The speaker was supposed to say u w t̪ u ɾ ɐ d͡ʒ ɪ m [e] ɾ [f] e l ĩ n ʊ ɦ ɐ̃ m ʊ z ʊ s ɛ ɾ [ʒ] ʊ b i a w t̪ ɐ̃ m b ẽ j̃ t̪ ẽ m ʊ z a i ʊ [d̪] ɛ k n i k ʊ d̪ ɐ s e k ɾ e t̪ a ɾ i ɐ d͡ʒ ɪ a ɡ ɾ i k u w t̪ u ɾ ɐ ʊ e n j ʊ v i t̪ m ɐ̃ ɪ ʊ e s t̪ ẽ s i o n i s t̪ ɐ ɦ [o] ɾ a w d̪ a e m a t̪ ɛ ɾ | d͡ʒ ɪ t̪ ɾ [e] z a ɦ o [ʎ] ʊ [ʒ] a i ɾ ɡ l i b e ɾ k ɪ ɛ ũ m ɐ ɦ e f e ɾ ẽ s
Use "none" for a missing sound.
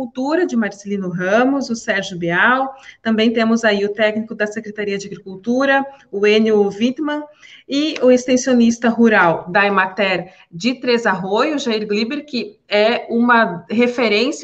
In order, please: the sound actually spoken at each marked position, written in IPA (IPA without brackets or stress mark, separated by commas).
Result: a, s, ʒ, t̪, u, e, j, ʒ